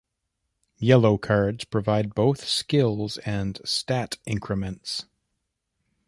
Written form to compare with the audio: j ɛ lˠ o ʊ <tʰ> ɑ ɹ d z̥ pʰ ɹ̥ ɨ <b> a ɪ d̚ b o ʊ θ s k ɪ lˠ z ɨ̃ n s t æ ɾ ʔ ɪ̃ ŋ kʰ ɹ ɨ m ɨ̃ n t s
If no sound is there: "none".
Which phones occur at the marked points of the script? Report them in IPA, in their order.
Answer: kʰ, v

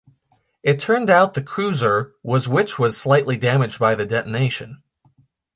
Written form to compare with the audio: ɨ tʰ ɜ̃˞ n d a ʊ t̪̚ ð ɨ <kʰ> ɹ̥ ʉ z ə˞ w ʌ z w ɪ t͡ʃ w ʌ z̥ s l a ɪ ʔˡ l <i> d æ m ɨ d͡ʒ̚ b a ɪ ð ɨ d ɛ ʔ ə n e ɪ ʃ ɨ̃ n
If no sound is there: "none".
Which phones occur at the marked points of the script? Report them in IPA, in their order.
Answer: kʰ, i

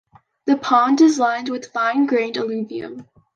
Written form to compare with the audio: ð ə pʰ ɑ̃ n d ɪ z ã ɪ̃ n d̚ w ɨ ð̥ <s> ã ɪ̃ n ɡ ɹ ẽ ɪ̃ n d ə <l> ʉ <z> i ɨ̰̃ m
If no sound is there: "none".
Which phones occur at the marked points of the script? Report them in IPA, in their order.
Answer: f, l, v

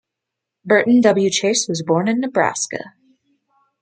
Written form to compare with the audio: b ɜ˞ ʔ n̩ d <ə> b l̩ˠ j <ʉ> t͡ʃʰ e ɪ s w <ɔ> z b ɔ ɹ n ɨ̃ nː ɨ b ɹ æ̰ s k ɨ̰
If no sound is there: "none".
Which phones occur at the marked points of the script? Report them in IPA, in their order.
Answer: ʌ, ʉ, ʌ

